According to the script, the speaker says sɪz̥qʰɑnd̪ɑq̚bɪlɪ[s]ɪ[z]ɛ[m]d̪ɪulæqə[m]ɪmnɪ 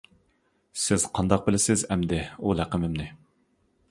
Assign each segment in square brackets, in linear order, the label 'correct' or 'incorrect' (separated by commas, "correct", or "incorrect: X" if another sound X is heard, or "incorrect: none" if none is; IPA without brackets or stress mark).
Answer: correct, correct, correct, correct